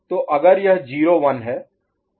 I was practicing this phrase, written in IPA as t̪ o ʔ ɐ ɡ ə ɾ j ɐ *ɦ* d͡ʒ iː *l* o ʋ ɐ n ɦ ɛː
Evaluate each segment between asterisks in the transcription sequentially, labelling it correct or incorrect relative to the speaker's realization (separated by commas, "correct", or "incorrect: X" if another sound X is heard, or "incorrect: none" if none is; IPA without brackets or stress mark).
correct, incorrect: ɾ